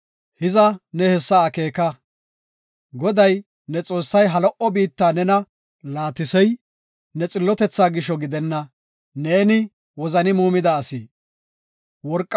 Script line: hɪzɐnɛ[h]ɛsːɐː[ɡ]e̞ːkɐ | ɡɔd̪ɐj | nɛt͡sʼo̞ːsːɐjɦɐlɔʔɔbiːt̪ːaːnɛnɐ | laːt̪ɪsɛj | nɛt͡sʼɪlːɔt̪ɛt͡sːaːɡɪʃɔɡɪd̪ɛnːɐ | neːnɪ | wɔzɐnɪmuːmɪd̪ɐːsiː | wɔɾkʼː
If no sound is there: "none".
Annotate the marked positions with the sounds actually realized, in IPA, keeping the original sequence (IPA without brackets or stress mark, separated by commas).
h, k